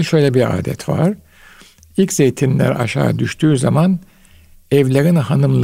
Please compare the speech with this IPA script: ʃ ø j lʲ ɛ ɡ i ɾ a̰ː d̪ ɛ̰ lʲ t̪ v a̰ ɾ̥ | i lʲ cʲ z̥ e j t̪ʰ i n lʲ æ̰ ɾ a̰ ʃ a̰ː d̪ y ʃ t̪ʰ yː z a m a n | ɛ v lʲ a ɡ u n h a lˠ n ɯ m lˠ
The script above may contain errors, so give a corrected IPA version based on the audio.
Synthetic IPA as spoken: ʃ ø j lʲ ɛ b i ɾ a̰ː d̪ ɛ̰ t̪ v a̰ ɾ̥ | i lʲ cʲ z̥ e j t̪ʰ i n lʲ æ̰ ɾ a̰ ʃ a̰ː d̪ y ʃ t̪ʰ yː z a m a n | ɛ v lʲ a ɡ ɯ n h a n ɯ m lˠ